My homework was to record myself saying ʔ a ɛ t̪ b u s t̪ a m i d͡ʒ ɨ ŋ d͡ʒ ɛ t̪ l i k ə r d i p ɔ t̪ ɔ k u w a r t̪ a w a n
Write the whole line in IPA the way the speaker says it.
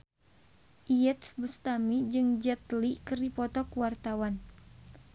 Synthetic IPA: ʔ i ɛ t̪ b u s t̪ a m i d͡ʒ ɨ ŋ d͡ʒ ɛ t̪ l i k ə r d i p ɔ t̪ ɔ k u w a r t̪ a w a n